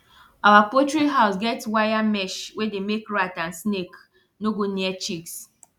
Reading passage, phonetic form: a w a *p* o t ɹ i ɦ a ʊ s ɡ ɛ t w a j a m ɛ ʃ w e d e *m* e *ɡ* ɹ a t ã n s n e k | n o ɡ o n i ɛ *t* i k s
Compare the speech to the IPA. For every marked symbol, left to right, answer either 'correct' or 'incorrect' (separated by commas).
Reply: correct, correct, incorrect, incorrect